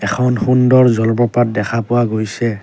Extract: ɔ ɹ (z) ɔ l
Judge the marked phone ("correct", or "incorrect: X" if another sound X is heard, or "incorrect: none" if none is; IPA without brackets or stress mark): correct